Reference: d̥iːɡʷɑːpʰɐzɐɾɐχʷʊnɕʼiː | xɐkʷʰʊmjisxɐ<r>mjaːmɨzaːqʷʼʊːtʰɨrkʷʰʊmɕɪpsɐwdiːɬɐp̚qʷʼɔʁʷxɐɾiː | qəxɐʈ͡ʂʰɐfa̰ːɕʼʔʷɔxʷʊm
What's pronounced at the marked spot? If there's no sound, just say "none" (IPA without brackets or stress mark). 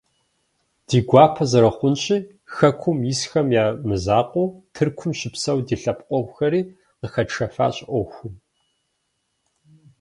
none